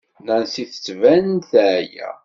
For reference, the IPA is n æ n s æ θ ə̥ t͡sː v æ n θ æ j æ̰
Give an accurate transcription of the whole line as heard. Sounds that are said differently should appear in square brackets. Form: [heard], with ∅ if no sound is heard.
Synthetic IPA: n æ n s [i] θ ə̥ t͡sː v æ n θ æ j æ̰

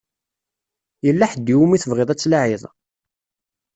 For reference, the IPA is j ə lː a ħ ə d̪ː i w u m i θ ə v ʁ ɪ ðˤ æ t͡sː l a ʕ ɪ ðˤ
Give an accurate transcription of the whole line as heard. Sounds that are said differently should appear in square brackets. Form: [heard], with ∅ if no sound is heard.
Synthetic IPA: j ə lː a ħ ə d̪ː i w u m i θ ə v ʁ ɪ ðˤ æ t͡sː l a ʕ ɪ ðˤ

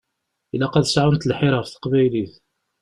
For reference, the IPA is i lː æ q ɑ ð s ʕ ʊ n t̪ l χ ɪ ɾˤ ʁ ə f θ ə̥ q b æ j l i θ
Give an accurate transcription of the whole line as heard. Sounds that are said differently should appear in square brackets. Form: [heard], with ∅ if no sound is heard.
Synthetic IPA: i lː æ q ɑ ð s ʕ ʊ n t̪ l [ħ] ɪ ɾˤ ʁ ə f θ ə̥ q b æ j l i θ

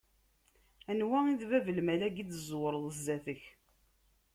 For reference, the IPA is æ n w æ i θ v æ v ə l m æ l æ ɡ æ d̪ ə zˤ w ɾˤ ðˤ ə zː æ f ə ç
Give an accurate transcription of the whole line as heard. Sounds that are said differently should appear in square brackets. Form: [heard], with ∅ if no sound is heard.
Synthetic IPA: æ n w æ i [ð] v æ v ə l m æ l æ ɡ [i] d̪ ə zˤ w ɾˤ ðˤ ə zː æ [θ] ə ç

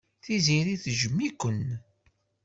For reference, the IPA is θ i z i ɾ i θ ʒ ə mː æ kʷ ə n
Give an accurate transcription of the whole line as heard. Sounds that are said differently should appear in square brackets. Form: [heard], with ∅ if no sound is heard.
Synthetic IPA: θ i z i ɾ i θ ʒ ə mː [i] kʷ ə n

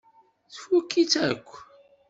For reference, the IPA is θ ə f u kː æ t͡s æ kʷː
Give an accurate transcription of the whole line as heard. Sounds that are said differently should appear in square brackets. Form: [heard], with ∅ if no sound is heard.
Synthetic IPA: θ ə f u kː [i] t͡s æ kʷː

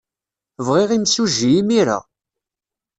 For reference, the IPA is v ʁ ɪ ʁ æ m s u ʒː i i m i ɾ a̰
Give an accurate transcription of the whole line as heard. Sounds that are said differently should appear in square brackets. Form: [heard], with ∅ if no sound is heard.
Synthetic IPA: v ʁ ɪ ʁ [i] m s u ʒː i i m i ɾ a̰

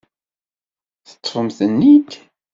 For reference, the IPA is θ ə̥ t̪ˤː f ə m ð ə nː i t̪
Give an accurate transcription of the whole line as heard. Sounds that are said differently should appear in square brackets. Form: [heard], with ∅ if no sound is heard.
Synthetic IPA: θ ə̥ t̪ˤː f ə m [θ] ə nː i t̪

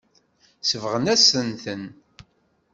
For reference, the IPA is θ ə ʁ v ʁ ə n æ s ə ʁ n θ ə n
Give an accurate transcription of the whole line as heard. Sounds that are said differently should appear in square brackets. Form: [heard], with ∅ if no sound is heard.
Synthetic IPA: [s] ə [∅] v ʁ ə n æ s ə [∅] n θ ə n

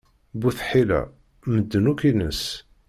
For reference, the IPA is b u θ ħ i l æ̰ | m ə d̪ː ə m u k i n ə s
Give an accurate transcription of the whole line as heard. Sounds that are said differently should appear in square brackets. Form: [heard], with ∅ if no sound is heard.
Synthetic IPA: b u θ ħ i l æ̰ | m ə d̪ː ə [n] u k i n ə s

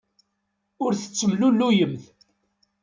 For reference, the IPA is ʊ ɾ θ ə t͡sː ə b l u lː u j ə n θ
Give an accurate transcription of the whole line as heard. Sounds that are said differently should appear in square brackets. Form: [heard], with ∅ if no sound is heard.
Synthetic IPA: ʊ ɾ θ ə t͡sː ə [m] l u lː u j ə [m] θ

